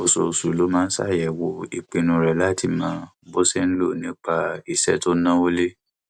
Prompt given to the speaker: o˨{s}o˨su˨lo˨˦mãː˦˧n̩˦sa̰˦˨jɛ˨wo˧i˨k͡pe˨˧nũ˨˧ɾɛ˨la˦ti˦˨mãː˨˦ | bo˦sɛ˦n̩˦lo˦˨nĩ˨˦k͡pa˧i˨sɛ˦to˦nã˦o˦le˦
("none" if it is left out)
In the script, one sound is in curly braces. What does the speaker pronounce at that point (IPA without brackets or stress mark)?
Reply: s